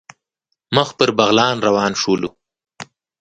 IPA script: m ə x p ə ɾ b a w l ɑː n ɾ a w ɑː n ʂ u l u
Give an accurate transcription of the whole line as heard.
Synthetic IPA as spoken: m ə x p ə ɾ b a ɣ l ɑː n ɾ a w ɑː n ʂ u l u